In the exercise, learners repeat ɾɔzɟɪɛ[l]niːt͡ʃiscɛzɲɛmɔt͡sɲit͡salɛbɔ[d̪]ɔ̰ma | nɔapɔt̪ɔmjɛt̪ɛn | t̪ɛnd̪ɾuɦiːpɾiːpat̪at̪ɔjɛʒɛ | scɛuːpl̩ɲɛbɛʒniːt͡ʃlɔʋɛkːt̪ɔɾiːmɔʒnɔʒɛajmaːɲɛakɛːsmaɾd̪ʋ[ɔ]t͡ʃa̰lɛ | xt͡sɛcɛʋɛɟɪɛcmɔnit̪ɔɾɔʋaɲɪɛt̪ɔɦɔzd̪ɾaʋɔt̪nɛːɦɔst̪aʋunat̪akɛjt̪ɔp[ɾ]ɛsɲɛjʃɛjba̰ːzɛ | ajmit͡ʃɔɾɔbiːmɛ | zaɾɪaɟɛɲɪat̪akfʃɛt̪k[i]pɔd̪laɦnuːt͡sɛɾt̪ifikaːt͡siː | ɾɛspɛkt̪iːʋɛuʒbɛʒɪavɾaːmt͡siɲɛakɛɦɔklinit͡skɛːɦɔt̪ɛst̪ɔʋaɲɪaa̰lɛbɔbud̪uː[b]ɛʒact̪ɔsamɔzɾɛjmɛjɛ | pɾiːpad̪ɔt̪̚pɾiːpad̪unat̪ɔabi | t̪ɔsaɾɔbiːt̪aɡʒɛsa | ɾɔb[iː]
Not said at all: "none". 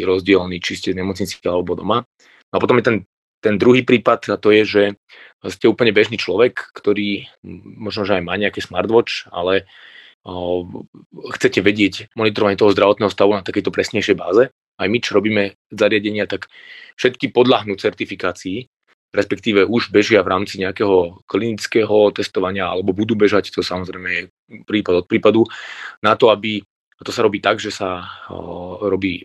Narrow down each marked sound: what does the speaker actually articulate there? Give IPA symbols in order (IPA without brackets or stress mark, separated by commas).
l, d̪, ɔ, ɾ, i, b, iː